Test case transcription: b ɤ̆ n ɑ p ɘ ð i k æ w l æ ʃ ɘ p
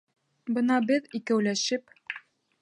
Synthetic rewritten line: b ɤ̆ n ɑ b ɘ ð i k æ w l æ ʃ ɘ p

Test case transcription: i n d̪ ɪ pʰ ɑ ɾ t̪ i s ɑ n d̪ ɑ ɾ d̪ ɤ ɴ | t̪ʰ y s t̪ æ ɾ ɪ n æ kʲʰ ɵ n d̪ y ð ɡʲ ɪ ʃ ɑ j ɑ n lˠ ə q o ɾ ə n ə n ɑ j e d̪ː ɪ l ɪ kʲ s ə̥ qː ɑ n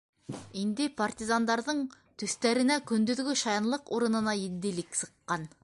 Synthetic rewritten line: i n d̪ ɪ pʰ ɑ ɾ t̪ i z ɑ n d̪ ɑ ɾ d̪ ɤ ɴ | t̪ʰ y s t̪ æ ɾ ɪ n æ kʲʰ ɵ n d̪ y ð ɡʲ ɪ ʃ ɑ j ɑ n lˠ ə q o ɾ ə n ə n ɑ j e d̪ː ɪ l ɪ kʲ s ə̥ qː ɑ n

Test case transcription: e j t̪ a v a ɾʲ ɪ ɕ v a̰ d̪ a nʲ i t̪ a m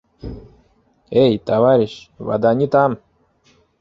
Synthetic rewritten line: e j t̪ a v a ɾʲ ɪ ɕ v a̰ d̪ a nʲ i t̪ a m

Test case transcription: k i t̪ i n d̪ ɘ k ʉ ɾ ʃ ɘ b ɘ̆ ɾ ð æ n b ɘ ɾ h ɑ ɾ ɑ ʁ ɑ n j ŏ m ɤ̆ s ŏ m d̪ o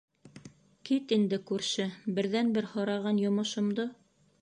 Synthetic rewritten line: k i t̪ i n d̪ ɘ k ʉ ɾ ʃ ɘ b ɘ̆ ɾ ð æ n b ɘ ɾ h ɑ ɾ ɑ ʁ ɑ n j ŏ m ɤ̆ ʃ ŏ m d̪ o

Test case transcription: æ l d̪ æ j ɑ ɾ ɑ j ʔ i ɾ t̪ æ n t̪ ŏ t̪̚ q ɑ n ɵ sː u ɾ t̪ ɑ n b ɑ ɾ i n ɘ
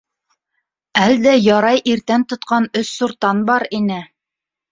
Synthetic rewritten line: æ l d̪ æ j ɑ ɾ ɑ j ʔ i ɾ t̪ æ n t̪ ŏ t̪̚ q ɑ n ɵ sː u ɾ t̪ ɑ n b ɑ ɾ i n ɘ

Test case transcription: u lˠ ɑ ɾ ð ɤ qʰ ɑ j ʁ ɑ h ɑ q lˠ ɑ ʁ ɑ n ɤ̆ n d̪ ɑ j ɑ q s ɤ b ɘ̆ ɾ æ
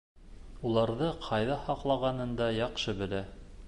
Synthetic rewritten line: u lˠ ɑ ɾ ð ɤ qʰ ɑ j ð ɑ h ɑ q lˠ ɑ ʁ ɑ n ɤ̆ n d̪ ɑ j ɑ q ʃ ɤ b ɘ̆ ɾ æ

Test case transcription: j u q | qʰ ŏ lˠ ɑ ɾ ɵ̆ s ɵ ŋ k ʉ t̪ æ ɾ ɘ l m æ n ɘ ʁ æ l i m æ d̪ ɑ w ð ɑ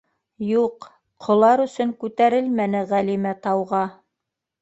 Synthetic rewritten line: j u q | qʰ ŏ lˠ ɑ ɾ ɵ̆ s ɵ ŋ k ʉ t̪ æ ɾ ɘ l m æ n ɘ ʁ æ l i m æ t̪ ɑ w ʁ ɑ

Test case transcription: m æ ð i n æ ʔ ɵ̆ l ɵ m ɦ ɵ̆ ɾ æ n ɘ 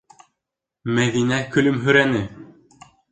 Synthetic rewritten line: m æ ð i n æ k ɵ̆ l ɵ m ɦ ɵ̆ ɾ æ n ɘ

